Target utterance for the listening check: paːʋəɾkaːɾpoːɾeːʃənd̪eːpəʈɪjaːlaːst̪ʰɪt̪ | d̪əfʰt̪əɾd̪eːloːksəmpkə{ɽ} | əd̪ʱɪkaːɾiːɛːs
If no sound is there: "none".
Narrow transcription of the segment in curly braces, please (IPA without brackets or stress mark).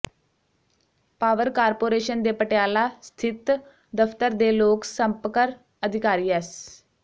ɾ